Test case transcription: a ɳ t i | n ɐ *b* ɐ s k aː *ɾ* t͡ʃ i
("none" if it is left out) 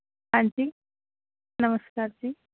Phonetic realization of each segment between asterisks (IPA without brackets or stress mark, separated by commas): m, ɾ